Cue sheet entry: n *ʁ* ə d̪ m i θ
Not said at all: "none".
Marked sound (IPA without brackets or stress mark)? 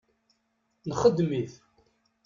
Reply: χ